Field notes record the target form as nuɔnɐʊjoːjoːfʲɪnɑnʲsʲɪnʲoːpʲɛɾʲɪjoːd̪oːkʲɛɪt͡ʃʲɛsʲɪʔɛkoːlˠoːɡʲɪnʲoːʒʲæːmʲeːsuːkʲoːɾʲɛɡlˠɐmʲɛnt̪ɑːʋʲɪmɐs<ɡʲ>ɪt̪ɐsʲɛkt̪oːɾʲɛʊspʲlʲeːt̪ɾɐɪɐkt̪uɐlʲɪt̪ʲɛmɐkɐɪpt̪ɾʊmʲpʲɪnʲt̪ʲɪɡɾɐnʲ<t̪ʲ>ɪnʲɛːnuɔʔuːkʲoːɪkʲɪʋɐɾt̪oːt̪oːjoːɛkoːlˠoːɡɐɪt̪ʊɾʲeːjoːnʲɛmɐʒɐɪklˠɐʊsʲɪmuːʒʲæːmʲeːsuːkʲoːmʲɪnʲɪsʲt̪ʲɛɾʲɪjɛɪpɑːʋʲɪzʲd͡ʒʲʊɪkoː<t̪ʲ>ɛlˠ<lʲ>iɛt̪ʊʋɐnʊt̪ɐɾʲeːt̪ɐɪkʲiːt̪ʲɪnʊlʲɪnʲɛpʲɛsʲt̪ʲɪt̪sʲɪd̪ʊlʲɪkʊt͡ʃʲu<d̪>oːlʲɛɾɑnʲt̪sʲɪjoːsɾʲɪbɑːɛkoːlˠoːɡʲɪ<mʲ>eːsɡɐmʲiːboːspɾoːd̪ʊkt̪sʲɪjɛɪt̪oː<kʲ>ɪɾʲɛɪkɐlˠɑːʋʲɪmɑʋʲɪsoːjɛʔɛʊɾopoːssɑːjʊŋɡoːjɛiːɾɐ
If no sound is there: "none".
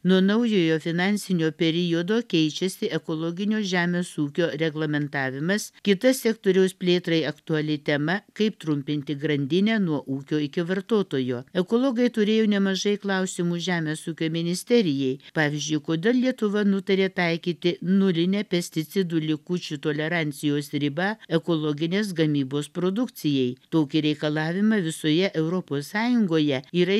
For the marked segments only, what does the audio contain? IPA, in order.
kʲ, d̪ʲ, d̪ʲ, lʲ, t̪, nʲ, kʲ

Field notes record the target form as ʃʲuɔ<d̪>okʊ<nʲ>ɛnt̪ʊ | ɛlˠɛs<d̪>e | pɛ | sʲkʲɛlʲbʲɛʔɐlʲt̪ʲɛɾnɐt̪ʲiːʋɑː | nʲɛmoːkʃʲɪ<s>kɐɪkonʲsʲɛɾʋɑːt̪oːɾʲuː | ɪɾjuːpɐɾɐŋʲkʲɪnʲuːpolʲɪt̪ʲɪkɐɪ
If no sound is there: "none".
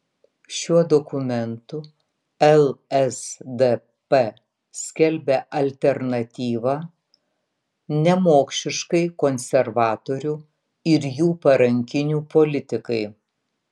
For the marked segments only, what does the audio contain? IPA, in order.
d̪, mʲ, d̪, ʃ

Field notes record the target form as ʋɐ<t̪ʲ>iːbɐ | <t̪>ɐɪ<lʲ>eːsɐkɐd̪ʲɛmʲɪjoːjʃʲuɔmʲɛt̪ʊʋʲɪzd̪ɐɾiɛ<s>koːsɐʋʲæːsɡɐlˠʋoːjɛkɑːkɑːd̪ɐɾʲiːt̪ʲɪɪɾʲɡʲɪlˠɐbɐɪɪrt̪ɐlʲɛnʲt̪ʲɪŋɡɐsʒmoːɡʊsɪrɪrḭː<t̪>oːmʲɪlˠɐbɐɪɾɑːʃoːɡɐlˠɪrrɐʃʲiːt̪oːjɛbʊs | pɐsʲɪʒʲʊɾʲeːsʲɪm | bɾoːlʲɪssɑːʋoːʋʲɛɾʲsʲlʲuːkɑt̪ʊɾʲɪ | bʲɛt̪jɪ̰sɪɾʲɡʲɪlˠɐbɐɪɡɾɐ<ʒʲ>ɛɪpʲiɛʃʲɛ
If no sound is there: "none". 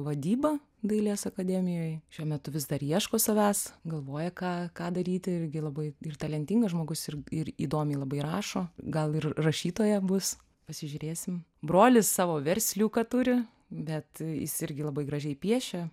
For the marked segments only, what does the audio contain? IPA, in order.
d̪ʲ, d̪, lʲ, ʃ, d̪, ʒʲ

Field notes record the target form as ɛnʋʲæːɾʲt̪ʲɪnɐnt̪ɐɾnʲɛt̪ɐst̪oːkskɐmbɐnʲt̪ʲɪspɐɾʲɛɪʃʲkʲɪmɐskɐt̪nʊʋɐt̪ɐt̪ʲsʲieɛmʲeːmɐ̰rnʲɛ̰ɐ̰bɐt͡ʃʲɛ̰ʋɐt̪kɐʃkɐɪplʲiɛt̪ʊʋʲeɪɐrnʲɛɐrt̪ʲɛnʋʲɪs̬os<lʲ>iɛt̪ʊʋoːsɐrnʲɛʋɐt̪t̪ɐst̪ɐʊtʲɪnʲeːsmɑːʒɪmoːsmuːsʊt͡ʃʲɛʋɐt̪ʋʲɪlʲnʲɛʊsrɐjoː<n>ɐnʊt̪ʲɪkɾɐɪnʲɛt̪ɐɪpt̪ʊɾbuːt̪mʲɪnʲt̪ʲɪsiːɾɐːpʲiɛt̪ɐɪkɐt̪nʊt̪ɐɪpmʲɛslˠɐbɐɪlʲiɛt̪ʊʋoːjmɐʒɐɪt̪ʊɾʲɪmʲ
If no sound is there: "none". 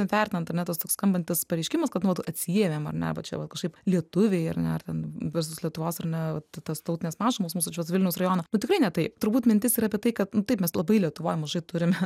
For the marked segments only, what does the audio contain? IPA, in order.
lʲ, n

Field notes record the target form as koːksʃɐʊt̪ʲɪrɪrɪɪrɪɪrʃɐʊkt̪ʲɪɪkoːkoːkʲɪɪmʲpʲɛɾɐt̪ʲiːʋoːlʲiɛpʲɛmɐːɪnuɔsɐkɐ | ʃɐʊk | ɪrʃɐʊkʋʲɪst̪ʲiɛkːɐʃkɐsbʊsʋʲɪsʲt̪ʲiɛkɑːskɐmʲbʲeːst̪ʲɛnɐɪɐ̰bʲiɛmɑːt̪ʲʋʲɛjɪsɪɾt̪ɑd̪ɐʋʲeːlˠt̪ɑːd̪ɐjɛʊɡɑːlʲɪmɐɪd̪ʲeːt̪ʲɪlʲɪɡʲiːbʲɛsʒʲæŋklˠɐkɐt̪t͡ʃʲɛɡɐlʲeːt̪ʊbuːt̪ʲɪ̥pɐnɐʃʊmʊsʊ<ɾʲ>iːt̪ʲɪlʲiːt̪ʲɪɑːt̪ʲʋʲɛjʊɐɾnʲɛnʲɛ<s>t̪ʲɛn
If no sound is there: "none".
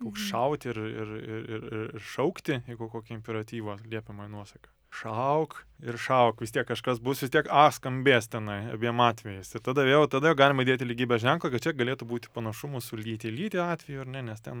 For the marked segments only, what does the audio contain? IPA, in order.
lʲ, s

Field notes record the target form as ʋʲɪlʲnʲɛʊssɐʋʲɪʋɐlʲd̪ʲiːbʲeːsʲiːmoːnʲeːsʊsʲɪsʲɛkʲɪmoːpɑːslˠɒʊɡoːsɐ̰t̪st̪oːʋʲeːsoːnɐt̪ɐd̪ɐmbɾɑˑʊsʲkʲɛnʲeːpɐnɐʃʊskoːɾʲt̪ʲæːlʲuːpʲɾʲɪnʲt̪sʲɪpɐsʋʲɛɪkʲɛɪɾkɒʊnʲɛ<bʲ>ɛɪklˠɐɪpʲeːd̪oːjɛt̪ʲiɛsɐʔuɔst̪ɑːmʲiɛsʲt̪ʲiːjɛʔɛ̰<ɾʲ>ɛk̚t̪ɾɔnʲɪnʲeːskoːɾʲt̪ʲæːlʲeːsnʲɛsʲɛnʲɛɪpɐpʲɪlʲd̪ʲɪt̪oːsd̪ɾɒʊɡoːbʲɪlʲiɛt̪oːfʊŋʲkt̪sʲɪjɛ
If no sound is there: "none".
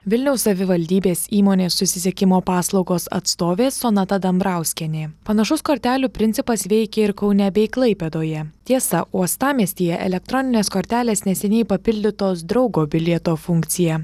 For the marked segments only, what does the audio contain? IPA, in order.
bʲ, lʲ

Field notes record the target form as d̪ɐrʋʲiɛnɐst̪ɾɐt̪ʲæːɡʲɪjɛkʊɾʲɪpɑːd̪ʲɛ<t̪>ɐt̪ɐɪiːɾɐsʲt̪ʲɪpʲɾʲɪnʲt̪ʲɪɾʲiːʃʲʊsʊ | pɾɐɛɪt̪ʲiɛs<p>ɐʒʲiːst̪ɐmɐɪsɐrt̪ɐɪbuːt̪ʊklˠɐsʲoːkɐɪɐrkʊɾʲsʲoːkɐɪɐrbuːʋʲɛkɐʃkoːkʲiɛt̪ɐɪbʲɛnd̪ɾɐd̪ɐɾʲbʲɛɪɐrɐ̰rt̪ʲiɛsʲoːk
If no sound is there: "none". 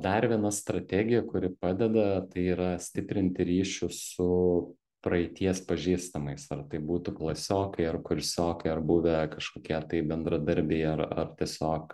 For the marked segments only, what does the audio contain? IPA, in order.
d̪, p

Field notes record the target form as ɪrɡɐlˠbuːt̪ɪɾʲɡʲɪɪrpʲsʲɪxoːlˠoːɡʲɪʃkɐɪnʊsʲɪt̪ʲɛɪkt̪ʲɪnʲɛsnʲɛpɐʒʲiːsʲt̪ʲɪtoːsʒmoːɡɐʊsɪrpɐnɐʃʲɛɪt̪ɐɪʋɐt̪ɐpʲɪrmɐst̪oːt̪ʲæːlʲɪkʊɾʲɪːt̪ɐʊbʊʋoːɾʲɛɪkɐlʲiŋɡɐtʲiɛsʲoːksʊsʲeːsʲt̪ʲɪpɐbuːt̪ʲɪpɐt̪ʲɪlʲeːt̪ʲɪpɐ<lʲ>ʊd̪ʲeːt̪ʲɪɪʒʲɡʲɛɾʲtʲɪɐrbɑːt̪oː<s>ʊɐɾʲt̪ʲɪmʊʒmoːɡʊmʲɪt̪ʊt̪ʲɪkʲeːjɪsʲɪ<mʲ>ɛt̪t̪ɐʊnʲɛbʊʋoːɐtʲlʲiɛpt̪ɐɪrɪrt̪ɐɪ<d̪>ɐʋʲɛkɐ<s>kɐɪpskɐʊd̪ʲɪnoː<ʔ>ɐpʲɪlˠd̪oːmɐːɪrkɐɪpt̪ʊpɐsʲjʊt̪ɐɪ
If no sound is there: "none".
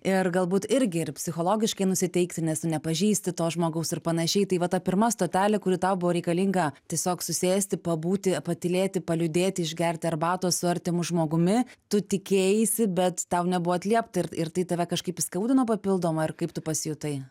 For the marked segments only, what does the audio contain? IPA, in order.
lʲ, s, bʲ, t̪, ʃ, p

